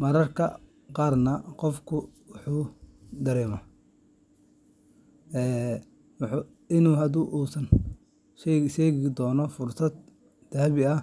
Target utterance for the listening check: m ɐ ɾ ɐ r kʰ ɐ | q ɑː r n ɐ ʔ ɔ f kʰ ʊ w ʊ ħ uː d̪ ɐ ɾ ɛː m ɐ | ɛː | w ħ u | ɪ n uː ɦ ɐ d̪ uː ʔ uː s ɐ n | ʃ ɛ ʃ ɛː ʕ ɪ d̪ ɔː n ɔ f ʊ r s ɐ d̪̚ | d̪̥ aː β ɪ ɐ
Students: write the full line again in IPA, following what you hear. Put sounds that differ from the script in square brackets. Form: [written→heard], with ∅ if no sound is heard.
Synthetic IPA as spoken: m ɐ ɾ ɐ r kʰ ɐ | q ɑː r n ɐ [ʔ→q] ɔ f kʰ ʊ w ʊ ħ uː d̪ ɐ ɾ ɛː m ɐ | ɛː | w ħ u | ɪ n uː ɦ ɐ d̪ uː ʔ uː s ɐ n | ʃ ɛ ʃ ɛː [ʕ→ɣ] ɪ d̪ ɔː n ɔ f ʊ r s ɐ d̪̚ | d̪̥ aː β ɪ ɐ

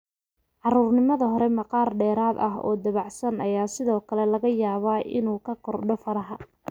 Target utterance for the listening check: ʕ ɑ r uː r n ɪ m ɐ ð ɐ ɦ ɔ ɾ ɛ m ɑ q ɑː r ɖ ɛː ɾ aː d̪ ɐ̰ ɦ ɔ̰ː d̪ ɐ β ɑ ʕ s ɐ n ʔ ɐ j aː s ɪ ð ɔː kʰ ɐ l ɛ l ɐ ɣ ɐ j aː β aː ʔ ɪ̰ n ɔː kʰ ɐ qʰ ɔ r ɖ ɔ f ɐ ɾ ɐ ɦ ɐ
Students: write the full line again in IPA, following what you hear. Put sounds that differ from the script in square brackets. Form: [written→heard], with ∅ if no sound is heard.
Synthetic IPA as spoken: ʕ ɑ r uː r n ɪ m ɐ ð ɐ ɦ ɔ ɾ ɛ m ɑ q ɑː r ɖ ɛː ɾ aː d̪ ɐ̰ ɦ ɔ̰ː d̪ ɐ β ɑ ʕ s ɐ n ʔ ɐ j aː s ɪ ð ɔː kʰ ɐ l ɛ l ɐ ɣ ɐ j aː β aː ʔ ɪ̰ n [ɔː→uː] kʰ ɐ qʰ ɔ r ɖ ɔ f ɐ ɾ ɐ ɦ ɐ

